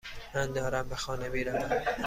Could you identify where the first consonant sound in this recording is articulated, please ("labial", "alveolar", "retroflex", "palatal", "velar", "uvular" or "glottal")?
labial